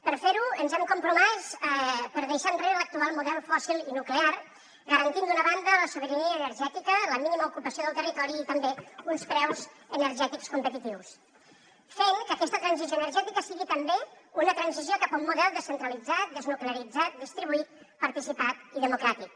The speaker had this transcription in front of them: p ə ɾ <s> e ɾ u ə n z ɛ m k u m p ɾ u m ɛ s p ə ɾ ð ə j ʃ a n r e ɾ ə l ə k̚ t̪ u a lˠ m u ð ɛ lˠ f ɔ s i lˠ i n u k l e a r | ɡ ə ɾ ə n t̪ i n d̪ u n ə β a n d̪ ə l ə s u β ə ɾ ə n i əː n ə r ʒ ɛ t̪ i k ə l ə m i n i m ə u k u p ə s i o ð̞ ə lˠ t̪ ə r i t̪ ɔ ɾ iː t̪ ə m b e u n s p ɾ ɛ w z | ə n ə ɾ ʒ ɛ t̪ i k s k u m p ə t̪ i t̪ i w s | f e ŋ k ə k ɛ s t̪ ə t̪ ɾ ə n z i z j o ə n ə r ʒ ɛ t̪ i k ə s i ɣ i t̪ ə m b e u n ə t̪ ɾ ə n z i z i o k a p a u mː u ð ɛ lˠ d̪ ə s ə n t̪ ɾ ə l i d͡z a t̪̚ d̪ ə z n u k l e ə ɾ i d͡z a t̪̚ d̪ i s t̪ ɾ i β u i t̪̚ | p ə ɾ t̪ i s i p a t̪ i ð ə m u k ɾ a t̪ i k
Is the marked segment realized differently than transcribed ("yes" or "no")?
yes